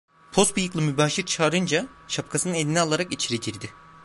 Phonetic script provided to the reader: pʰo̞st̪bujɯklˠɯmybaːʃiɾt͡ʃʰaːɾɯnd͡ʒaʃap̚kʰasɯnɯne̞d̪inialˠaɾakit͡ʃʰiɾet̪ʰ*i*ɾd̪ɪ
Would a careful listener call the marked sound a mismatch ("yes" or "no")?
no